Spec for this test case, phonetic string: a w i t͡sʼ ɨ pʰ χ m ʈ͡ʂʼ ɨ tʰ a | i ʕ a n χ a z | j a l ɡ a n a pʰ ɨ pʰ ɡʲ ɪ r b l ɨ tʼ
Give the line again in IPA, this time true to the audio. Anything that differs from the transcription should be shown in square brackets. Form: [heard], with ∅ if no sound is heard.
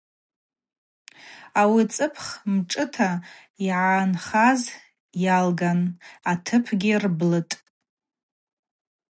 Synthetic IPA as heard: a w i t͡sʼ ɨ pʰ χ m ʈ͡ʂʼ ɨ tʰ a | i ʕ a n χ a z | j a l ɡ a n a [tʰ] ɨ pʰ ɡʲ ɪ r b l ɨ tʼ